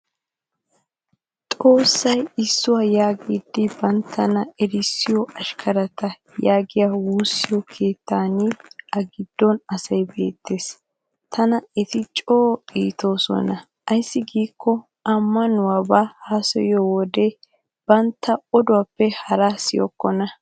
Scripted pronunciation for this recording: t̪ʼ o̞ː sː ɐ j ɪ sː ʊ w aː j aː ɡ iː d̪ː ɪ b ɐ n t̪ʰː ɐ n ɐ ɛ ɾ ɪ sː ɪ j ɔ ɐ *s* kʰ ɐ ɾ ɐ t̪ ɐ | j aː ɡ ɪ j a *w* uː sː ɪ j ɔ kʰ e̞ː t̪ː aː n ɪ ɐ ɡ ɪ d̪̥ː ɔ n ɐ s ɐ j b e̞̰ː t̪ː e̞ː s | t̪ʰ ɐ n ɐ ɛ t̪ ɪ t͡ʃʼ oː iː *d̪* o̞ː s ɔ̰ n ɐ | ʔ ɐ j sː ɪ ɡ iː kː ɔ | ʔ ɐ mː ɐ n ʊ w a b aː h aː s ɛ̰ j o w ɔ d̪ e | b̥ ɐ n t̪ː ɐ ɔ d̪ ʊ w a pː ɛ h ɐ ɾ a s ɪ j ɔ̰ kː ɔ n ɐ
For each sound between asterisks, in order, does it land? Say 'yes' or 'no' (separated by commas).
no, yes, no